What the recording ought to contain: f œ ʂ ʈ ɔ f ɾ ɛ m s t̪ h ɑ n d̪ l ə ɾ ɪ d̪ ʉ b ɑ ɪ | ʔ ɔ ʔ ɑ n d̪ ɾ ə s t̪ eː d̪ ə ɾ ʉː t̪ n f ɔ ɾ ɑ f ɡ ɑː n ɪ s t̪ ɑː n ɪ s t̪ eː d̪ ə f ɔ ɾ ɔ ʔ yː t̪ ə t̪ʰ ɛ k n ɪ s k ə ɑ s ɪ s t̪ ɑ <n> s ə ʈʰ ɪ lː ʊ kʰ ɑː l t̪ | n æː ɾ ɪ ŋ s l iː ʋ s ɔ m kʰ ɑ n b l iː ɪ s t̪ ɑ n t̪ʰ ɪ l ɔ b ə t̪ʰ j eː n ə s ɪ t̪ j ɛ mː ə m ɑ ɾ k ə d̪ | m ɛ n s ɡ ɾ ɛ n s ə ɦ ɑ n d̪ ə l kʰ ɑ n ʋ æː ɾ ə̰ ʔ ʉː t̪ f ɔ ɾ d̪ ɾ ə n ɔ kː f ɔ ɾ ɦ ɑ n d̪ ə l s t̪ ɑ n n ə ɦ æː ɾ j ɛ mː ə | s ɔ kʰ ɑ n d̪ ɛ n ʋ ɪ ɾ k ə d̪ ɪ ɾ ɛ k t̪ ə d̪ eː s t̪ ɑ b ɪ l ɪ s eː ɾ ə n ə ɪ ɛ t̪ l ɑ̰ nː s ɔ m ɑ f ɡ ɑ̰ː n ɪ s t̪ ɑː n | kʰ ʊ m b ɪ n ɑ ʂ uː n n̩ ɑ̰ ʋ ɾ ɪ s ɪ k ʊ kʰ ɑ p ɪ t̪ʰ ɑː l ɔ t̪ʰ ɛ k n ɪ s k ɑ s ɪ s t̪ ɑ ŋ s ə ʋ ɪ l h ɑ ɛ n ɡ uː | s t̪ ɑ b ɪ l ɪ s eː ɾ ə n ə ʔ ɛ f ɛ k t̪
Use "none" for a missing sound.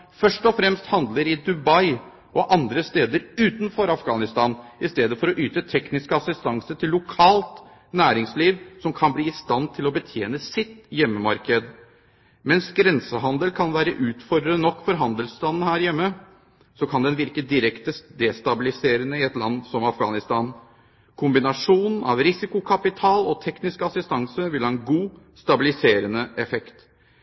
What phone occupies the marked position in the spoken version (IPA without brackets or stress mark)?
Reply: ŋ